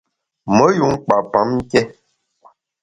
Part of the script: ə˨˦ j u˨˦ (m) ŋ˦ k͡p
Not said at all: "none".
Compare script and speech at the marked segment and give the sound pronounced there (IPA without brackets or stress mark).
none